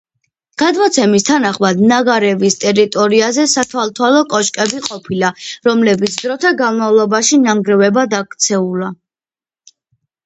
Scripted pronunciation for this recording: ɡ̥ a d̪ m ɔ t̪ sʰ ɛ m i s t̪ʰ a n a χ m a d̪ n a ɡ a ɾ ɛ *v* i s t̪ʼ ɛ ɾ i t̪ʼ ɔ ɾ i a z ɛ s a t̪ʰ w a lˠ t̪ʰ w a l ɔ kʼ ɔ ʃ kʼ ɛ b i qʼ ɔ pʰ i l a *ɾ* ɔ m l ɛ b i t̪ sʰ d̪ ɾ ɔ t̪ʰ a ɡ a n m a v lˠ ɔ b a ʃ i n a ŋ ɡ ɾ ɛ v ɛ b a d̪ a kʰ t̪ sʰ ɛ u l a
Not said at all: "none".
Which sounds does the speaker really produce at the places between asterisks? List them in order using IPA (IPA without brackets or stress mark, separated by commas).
v, ɾ